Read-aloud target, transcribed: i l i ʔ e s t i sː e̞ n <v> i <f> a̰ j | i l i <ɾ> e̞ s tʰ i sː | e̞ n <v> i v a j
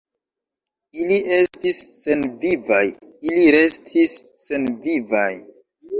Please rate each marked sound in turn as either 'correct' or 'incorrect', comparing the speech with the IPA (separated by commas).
correct, incorrect, correct, correct